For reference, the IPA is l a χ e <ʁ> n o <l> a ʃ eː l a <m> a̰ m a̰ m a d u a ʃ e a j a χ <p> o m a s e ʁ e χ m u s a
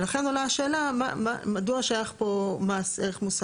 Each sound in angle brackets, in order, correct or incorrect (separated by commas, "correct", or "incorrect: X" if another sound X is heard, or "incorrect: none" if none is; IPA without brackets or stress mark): incorrect: none, correct, correct, correct